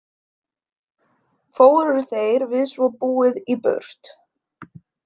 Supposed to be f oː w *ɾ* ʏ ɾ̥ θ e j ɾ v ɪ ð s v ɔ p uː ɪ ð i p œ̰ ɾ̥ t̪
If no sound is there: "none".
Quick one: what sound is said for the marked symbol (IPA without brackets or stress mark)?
ɾ